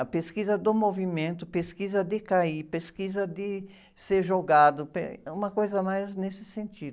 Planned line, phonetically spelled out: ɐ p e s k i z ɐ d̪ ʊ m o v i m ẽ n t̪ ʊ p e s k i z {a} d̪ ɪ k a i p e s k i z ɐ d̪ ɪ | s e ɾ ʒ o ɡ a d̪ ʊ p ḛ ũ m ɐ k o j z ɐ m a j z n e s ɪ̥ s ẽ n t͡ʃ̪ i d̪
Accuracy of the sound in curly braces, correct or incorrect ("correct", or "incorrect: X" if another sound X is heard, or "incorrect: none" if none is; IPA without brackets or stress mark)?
incorrect: ɐ